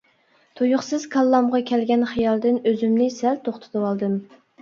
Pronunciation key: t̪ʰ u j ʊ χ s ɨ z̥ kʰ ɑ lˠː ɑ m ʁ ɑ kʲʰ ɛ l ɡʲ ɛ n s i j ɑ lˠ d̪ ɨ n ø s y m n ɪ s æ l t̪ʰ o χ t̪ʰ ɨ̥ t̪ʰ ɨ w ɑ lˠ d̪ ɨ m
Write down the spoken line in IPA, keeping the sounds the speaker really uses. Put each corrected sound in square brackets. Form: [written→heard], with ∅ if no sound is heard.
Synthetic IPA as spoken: t̪ʰ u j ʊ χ s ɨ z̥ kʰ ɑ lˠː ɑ m ʁ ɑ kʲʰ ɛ l ɡʲ ɛ n [s→χ] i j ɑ lˠ d̪ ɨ n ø [s→z] y m n ɪ s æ l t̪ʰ o χ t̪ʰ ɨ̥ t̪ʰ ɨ w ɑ lˠ d̪ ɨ m